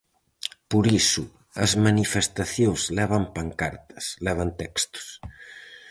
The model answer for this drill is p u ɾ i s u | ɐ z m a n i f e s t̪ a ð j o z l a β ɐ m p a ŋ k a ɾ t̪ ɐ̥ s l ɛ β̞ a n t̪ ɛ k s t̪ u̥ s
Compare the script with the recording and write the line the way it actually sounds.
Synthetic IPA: p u ɾ i s u | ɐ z m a n i f e s t̪ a θ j o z l ɛ β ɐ m p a ŋ k a ɾ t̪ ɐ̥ s l ɛ β̞ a n t̪ ɛ k s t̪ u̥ s